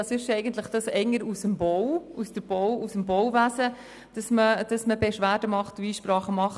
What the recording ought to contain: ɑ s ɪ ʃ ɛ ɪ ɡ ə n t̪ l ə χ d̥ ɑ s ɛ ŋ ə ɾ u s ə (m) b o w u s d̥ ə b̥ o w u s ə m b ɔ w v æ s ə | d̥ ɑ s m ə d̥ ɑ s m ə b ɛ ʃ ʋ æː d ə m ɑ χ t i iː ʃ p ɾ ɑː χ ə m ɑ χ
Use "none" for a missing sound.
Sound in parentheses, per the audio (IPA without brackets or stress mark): m